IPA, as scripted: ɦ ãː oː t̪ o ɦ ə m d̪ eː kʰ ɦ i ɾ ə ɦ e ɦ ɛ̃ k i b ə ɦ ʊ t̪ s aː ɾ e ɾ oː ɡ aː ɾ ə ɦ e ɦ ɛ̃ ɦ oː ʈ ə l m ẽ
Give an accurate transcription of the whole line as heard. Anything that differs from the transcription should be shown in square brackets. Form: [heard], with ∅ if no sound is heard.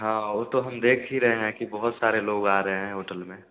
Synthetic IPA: ɦ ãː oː t̪ o ɦ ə m d̪ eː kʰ ɦ i ɾ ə ɦ e ɦ ɛ̃ k i b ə ɦ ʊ t̪ s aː ɾ e [l] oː ɡ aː ɾ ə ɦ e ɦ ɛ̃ ɦ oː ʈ ə l m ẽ

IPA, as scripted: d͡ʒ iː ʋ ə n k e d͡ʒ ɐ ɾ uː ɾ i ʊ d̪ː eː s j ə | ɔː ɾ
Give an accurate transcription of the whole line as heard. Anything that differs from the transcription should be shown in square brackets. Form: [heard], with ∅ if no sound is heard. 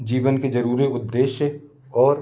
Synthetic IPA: d͡ʒ iː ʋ ə n k e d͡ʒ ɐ ɾ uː ɾ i ʊ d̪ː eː [ʃ] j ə | ɔː ɾ

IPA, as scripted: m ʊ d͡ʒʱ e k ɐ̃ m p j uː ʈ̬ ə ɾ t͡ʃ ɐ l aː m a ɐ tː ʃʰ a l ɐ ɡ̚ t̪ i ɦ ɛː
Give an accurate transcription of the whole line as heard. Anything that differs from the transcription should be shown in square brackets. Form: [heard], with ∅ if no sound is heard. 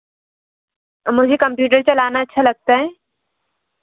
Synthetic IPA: m ʊ d͡ʒʱ e k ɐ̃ m p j uː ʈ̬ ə ɾ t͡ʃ ɐ l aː [n] a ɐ tː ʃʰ a l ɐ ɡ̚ t̪ [a] ɦ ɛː

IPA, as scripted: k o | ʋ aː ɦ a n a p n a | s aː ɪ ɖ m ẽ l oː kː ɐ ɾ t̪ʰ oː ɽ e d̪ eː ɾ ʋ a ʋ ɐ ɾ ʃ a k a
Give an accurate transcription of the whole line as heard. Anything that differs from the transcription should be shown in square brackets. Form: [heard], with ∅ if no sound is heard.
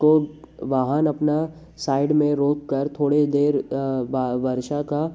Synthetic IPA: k o | ʋ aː ɦ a n [ɐ] p n a | s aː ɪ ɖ m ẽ [ɾ] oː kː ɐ ɾ t̪ʰ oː ɽ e d̪ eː ɾ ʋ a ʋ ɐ ɾ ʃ a k a

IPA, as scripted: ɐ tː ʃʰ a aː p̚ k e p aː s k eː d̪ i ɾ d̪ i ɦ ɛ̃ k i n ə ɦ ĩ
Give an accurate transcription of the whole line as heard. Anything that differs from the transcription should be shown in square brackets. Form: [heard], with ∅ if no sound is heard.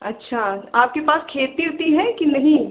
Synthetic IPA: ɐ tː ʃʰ a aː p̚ k e p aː s [kʰ] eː [t̪] i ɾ [t̪] i ɦ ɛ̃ k i n [ɐ] ɦ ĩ

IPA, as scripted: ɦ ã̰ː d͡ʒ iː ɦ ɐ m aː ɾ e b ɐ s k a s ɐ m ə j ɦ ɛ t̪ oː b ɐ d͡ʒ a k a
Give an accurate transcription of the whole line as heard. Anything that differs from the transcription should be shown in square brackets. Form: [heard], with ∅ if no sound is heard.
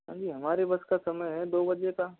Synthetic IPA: ɦ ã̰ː d͡ʒ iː ɦ ɐ m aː ɾ e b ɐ s k a s ɐ m ə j ɦ ɛ [d̪] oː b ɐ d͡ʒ [e] k a

